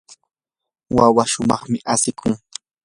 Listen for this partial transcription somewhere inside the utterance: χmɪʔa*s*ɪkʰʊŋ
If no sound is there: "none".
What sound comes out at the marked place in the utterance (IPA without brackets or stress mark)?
s